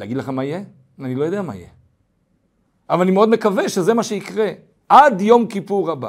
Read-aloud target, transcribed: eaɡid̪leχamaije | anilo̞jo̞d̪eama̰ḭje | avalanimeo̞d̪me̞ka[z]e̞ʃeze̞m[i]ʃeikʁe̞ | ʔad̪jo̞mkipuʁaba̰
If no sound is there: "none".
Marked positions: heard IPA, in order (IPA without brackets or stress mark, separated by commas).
v, a